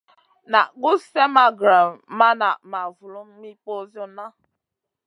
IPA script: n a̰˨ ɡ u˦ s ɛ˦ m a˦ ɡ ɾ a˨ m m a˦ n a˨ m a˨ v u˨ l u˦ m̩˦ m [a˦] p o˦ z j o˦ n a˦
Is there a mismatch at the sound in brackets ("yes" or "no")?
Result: yes